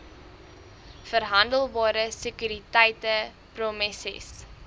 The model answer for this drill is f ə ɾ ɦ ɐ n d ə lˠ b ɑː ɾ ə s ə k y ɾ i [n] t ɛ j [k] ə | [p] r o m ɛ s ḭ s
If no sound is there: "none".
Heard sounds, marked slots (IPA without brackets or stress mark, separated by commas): none, t, p